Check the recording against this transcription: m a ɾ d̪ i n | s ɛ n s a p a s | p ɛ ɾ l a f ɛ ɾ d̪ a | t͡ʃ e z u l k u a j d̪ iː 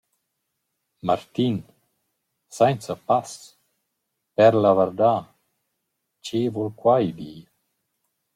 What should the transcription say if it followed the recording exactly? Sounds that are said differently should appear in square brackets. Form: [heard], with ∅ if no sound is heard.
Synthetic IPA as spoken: m a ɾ [t̪] i n | s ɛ n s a p a s | p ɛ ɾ l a [v] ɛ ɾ d̪ a | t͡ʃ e [v] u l k [w] a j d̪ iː